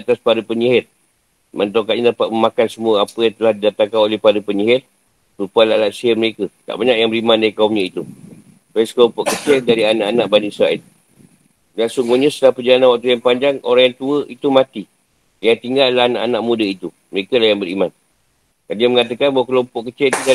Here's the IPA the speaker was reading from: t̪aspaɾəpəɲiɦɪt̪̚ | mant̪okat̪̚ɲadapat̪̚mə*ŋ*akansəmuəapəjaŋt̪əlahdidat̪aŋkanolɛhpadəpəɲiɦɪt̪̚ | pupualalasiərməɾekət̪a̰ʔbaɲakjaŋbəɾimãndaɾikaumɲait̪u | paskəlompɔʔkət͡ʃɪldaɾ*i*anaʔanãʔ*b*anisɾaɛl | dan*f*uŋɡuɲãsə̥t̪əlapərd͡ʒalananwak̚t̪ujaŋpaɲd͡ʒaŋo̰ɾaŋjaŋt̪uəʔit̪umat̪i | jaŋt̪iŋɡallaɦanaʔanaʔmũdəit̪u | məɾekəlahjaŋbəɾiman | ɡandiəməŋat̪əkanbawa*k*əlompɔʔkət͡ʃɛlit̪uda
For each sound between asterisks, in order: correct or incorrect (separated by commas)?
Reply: incorrect, correct, correct, incorrect, correct